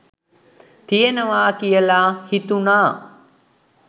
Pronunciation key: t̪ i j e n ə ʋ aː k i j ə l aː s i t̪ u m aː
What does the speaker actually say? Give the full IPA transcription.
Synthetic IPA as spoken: t̪ i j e n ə ʋ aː k i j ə l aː h i t̪ u n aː